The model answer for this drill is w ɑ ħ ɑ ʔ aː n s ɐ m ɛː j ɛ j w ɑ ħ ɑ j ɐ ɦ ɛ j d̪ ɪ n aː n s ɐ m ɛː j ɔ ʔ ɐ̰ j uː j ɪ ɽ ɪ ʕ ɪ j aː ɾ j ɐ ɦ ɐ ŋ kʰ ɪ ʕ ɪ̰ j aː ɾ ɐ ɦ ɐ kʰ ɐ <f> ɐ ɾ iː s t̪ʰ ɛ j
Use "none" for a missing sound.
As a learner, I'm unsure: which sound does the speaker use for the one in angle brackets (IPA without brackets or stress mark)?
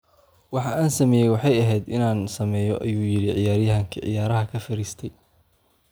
f